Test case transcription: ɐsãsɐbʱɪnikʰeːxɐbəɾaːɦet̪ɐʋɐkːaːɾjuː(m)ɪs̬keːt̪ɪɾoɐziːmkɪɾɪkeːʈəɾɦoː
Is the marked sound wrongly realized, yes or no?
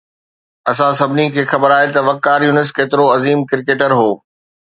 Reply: yes